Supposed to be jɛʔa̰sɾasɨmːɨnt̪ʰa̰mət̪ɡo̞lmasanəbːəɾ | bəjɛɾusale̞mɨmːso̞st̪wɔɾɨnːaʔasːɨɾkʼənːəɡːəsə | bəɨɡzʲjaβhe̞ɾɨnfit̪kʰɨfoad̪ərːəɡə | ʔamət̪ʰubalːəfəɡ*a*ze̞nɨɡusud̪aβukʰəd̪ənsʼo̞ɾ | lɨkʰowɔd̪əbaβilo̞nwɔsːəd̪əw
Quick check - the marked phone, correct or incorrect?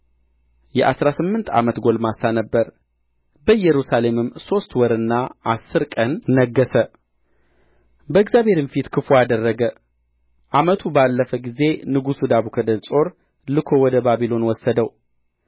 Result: incorrect